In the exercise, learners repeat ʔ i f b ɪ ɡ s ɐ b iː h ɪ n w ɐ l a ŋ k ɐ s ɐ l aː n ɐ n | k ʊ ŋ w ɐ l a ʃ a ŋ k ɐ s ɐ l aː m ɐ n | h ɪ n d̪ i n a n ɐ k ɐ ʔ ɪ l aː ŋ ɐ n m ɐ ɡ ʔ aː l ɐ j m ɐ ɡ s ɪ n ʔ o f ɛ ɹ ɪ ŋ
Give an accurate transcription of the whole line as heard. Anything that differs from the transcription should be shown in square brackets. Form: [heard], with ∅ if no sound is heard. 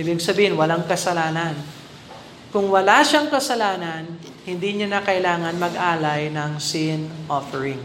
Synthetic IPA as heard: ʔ i [∅] b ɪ ɡ s ɐ b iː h ɪ n w ɐ l a ŋ k ɐ s ɐ l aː n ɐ n | k ʊ ŋ w ɐ l a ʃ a ŋ k ɐ s ɐ l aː [n] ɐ n | h ɪ n d̪ i [ɲ] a n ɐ k ɐ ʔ ɪ l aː ŋ ɐ n m ɐ ɡ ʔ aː l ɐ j [n] ɐ [ŋ] s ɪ n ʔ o f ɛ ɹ ɪ ŋ